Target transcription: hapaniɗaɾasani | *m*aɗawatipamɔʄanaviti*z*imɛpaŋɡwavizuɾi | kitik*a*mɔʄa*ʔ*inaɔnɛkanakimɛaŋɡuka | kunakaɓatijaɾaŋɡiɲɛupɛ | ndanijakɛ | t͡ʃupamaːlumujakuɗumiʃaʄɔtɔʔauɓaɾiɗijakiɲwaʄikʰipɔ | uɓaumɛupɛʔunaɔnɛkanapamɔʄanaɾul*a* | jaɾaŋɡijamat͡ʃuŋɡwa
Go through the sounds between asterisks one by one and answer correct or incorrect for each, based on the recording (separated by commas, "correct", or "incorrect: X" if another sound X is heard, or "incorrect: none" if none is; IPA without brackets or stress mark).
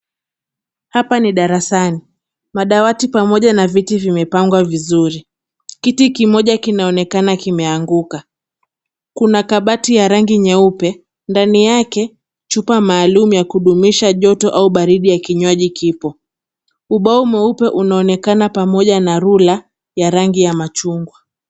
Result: correct, incorrect: v, incorrect: i, incorrect: k, correct